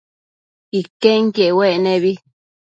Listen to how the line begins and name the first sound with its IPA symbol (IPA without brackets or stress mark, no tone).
i